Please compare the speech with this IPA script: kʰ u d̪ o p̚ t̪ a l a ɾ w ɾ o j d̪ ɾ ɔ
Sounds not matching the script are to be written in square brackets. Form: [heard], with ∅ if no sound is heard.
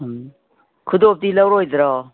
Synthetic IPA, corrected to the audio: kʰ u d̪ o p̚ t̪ [i] l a [∅] w ɾ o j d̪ ɾ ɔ